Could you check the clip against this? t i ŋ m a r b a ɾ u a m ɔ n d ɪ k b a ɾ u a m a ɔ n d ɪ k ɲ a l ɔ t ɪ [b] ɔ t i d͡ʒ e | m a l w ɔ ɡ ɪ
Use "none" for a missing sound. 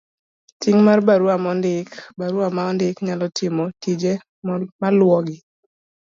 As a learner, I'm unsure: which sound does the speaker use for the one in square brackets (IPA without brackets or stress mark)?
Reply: m